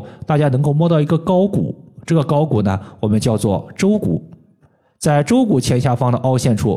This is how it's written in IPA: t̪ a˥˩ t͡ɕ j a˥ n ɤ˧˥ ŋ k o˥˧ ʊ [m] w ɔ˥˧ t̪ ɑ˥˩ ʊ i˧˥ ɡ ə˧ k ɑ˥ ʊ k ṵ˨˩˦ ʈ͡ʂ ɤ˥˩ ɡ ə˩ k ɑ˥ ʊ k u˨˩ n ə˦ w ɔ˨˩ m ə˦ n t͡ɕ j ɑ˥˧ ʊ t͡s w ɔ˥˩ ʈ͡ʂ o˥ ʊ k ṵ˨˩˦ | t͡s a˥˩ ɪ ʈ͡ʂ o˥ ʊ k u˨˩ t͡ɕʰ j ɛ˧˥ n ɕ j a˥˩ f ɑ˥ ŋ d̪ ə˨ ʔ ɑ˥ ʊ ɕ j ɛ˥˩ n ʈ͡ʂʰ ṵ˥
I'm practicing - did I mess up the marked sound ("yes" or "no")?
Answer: no